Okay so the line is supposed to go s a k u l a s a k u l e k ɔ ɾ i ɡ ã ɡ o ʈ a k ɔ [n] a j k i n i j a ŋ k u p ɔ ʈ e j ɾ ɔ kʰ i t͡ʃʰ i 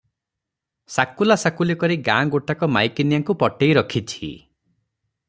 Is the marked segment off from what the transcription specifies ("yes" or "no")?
yes